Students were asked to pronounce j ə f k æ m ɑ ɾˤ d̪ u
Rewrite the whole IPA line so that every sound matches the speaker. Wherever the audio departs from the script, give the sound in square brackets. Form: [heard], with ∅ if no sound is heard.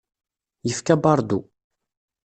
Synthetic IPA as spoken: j ə f k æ [b] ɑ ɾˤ d̪ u